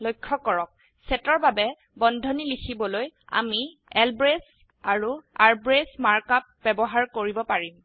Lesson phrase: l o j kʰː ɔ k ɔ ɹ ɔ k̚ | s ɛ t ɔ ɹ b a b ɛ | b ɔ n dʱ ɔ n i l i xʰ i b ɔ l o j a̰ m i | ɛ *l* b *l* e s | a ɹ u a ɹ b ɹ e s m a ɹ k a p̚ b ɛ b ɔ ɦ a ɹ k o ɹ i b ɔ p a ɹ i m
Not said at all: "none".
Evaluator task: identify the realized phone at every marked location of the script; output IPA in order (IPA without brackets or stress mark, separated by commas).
l, ɹ